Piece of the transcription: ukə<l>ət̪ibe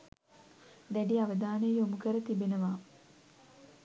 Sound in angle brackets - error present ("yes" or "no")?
yes